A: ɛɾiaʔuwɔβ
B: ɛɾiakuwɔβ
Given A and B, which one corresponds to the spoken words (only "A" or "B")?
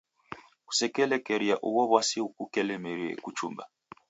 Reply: A